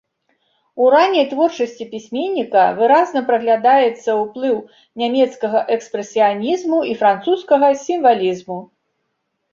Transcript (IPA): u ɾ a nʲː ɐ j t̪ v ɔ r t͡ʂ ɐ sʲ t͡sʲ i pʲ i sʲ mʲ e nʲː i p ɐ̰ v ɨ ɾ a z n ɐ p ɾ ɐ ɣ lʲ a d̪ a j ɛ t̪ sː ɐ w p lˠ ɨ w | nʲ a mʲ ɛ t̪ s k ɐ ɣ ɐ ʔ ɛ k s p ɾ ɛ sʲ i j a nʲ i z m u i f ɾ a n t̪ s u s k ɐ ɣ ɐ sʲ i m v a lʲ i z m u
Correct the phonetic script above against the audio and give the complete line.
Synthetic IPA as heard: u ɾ a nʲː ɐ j t̪ v ɔ r t͡ʂ ɐ sʲ t͡sʲ i pʲ i sʲ mʲ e nʲː i k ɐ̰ v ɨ ɾ a z n ɐ p ɾ ɐ ɣ lʲ a d̪ a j ɛ t̪ sː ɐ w p lˠ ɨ w | nʲ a mʲ ɛ t̪ s k ɐ ɣ ɐ ʔ ɛ k s p ɾ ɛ sʲ i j a nʲ i z m u i f ɾ a n t̪ s u s k ɐ ɣ ɐ sʲ i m v a lʲ i z m u

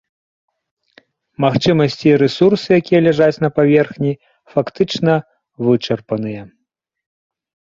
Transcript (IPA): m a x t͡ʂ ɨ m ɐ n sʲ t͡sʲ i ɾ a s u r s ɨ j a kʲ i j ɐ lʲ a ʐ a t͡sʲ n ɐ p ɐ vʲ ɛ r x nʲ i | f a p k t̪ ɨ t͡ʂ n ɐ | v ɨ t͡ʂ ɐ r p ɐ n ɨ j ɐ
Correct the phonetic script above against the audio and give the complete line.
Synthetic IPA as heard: m a x t͡ʂ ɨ m ɐ sʲ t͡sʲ i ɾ ɛ s u r s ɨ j a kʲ i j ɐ lʲ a ʐ a t͡sʲ n ɐ p a vʲ ɛ r x nʲ i | f a k t̪ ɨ t͡ʂ n ɐ | v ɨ t͡ʂ ɐ r p ɐ n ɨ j ɐ

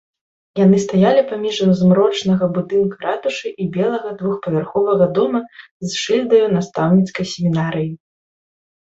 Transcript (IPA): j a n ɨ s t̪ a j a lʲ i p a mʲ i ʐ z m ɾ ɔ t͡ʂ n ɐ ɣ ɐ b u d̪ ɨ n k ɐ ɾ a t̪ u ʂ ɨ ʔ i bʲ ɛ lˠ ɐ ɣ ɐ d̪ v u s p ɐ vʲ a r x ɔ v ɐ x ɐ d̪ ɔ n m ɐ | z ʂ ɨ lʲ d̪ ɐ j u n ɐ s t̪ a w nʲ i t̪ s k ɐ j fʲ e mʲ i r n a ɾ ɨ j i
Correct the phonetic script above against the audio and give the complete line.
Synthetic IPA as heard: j a n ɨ s t̪ a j a lʲ i p a mʲ i ʐ z m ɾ ɔ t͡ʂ n ɐ ɣ ɐ b u d̪ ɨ n k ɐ ɾ a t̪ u ʂ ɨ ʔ i bʲ ɛ lˠ ɐ ɣ ɐ d̪ v u x p ɐ vʲ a r x ɔ v ɐ ɣ ɐ d̪ ɔ m ɐ | z ʂ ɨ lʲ d̪ ɐ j u n a s t̪ a w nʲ i t̪ s k ɐ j sʲ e mʲ i n a ɾ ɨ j i

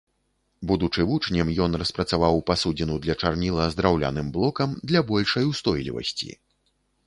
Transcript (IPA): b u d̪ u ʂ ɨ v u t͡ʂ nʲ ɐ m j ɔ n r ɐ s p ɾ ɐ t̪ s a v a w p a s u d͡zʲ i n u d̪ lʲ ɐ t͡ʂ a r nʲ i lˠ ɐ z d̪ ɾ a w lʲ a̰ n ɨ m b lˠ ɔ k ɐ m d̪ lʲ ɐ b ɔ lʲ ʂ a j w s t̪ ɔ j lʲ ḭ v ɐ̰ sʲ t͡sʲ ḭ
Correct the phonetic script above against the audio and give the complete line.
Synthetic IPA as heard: b u d̪ u t͡ʂ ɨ v u t͡ʂ nʲ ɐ m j ɔ n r ɐ s p ɾ ɐ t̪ s a v a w p a s u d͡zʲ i n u d̪ lʲ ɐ t͡ʂ a r nʲ i lˠ ɐ z d̪ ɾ a w lʲ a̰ n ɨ m b lˠ ɔ k ɐ m d̪ lʲ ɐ b ɔ lʲ ʂ ɐ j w s t̪ ɔ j lʲ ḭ v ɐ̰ sʲ t͡sʲ ḭ

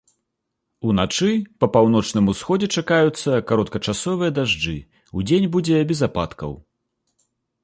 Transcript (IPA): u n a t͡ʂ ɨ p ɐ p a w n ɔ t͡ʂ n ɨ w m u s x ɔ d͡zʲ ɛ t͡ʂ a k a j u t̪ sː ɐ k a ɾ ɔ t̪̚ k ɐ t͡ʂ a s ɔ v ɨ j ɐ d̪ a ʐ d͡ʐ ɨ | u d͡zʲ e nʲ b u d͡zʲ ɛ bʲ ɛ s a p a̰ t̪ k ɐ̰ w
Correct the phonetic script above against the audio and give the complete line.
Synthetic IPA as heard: u n a t͡ʂ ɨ p ɐ p a w n ɔ t͡ʂ n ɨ m u s x ɔ d͡zʲ ɛ t͡ʂ a k a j u t̪ sː ɐ k a ɾ ɔ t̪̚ k ɐ t͡ʂ a s ɔ v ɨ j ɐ d̪ a ʐ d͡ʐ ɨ | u d͡zʲ e nʲ b u d͡zʲ ɛ bʲ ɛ z a p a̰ t̪ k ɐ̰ w

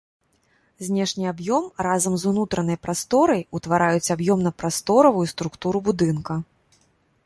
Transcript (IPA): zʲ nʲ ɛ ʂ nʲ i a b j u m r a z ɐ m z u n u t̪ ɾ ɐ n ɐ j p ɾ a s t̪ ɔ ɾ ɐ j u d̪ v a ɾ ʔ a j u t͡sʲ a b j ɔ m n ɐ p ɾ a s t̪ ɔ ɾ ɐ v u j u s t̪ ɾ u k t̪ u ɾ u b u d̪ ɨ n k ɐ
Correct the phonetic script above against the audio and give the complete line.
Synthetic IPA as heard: zʲ nʲ ɛ ʂ nʲ i a b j ɔ m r a z ɐ m z u n u t̪ ɾ ɐ n ɐ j p ɾ a s t̪ ɔ ɾ ɐ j u t̪ v a ɾ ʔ a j u t͡sʲ a b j ɔ m n ɐ p ɾ a s t̪ ɔ ɾ ɐ v u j u s t̪ ɾ u k t̪ u ɾ u b u d̪ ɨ n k ɐ

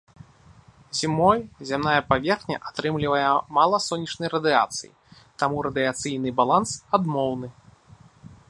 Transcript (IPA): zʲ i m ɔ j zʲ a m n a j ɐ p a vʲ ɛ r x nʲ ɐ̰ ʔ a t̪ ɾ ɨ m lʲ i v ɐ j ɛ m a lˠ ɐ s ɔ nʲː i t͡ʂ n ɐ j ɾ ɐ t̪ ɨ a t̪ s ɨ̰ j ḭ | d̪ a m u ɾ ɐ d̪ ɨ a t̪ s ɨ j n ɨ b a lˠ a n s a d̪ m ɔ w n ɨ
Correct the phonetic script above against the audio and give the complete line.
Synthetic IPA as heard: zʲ i m ɔ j zʲ a m n a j ɐ p a vʲ ɛ r x nʲ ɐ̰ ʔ a t̪ ɾ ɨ m lʲ i v ɐ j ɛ m a lˠ ɐ s ɔ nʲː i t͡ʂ n ɐ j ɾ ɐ d̪ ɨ a t̪ s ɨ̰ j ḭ | t̪ a m u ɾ ɐ d̪ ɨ a t̪ s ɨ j n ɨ b a lˠ a n s a d̪ m ɔ w n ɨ

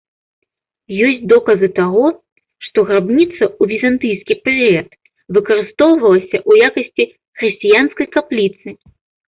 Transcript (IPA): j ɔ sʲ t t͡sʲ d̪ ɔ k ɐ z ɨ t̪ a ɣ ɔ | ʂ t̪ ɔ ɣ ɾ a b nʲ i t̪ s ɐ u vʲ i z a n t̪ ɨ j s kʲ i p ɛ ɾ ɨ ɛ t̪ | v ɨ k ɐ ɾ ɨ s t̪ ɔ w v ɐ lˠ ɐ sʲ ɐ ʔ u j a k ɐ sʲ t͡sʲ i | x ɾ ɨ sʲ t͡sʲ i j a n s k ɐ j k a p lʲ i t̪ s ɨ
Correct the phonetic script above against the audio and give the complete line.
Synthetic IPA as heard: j ɔ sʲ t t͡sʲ d̪ ɔ k ɐ z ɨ t̪ a ɣ ɔ | ʂ t̪ ɔ ɣ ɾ a b nʲ i t̪ s ɐ u vʲ i z a n t̪ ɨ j s kʲ i p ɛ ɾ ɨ ɛ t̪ | v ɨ k ɐ ɾ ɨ s t̪ ɔ w v ɐ lˠ ɐ sʲ ɐ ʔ u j a k ɐ sʲ t͡sʲ i | x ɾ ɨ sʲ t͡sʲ i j a n s k ɐ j k a p lʲ i t̪ s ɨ

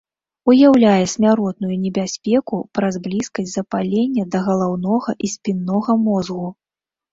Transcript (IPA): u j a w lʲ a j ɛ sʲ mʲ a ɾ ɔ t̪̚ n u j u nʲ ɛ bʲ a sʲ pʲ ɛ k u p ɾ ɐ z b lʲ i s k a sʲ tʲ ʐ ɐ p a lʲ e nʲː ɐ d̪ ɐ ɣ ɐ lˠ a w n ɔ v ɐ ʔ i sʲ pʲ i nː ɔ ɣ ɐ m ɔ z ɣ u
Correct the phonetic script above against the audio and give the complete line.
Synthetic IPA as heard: u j a w lʲ a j ɛ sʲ mʲ a ɾ ɔ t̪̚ n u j u nʲ ɛ bʲ a sʲ pʲ ɛ k u p ɾ ɐ z b lʲ i s k ɐ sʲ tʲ z ɐ p a lʲ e nʲː ɐ d̪ ɐ ɣ ɐ lˠ a w n ɔ ɣ ɐ ʔ i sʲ pʲ i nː ɔ ɣ ɐ m ɔ z ɣ u

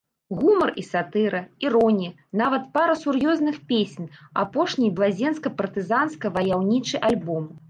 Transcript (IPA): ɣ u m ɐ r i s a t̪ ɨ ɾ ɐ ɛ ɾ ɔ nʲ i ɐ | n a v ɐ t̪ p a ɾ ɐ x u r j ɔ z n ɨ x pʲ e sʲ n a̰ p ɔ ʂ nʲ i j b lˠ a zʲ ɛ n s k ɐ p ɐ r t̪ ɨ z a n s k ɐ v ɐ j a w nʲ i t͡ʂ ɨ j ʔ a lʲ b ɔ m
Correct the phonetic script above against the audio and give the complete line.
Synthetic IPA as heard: ɣ u m ɐ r i s a t̪ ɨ ɾ ɐ i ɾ ɔ nʲ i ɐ | n a v ɐ t̪ p a ɾ ɐ s u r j ɔ z n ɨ x pʲ e sʲ n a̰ p ɔ ʂ nʲ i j b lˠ a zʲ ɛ n s k ɐ p ɐ r t̪ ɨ z a n s k ɐ v ɐ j a w nʲ i t͡ʂ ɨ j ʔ a lʲ b ɔ m

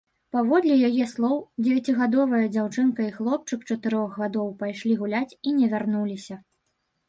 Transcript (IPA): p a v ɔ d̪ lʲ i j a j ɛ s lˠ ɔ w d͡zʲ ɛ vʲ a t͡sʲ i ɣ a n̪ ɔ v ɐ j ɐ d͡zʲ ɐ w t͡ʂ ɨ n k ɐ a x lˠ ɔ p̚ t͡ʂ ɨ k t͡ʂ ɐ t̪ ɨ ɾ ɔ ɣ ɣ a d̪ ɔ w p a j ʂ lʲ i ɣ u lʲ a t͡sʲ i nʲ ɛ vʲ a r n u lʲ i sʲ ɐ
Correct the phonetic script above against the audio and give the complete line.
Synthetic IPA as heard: p a v ɔ d̪ lʲ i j a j ɛ s lˠ ɔ w d͡zʲ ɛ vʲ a t͡sʲ i ɣ a d̪ ɔ v ɐ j ɐ d͡zʲ a w t͡ʂ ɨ n k ɐ i x lˠ ɔ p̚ t͡ʂ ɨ k t͡ʂ ɐ t̪ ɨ ɾ ɔ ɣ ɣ a d̪ ɔ w p a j ʂ lʲ i ɣ u lʲ a t͡sʲ i nʲ ɛ vʲ a r n u lʲ i sʲ ɐ

